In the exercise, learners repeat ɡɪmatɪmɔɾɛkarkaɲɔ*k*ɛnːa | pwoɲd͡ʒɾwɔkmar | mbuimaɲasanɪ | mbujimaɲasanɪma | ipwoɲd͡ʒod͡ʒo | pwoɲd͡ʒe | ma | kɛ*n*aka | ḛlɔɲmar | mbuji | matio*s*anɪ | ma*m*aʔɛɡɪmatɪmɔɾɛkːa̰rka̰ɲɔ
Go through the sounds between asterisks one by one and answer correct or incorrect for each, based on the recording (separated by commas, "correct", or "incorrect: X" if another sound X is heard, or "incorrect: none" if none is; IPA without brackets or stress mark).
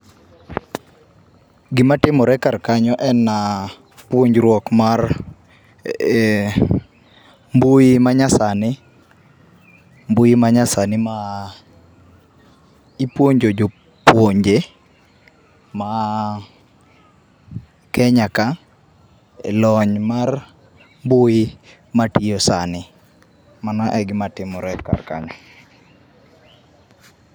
incorrect: ʔ, incorrect: ɲ, correct, incorrect: n